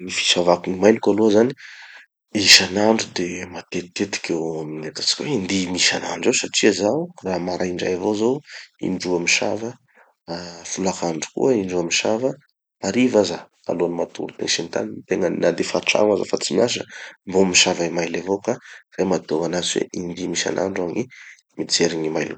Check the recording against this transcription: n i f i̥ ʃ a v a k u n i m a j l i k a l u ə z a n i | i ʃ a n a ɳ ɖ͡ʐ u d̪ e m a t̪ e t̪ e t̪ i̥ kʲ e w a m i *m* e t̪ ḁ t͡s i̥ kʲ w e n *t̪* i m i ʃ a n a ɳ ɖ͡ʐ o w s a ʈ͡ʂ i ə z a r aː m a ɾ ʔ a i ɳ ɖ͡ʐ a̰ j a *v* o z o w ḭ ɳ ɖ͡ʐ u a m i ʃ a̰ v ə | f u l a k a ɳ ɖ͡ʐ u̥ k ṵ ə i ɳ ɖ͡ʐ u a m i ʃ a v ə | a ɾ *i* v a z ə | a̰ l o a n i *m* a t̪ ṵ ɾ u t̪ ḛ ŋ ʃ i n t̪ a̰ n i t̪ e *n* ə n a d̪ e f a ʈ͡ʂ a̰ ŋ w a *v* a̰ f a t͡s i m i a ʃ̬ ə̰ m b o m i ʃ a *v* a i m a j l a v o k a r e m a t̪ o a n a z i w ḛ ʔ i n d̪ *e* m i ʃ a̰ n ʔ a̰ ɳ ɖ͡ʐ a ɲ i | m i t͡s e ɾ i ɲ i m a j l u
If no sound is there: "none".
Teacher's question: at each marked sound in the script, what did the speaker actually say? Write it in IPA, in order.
n, d̪, v, i, m, ŋ, z, v, i

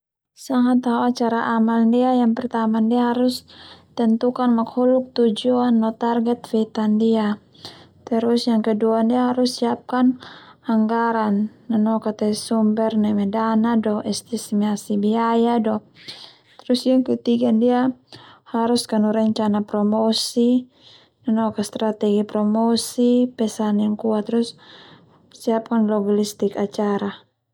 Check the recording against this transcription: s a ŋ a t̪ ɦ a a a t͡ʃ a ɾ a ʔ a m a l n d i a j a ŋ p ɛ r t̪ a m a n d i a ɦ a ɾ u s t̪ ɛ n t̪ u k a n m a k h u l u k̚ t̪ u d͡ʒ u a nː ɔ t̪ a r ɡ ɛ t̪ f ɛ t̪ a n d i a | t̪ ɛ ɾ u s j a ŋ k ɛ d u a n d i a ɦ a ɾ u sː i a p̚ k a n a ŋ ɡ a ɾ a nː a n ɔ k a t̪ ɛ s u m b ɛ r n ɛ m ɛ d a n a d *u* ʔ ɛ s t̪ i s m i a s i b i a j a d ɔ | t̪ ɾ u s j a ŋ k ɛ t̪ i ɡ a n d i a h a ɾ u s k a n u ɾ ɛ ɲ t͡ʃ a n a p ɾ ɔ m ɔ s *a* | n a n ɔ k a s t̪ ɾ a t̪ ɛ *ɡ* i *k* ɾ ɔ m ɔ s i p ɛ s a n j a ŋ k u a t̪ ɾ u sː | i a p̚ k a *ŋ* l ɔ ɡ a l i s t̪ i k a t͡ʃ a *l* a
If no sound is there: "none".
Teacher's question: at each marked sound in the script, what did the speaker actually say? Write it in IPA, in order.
ɔ, i, ɡ, p, n, ɾ

